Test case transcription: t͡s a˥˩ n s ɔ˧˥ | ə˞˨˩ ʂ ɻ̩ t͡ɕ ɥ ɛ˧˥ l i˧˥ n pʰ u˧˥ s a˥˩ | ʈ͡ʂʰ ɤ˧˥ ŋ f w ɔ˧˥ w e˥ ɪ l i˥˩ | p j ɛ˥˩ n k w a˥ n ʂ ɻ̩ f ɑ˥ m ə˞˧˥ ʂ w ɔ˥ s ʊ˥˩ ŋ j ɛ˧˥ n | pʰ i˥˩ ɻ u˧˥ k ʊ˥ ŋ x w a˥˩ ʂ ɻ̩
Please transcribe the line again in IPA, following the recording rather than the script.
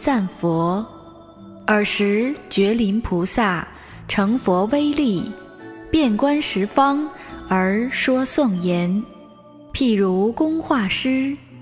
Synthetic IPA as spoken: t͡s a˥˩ n f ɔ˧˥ | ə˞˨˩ ʂ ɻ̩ t͡ɕ ɥ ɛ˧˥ l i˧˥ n pʰ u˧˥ s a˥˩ | ʈ͡ʂʰ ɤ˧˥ ŋ f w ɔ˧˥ w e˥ ɪ l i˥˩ | p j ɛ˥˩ n k w a˥ n ʂ ɻ̩ f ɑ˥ ŋ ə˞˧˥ ʂ w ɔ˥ s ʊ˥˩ ŋ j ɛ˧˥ n | pʰ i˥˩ ɻ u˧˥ k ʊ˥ ŋ x w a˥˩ ʂ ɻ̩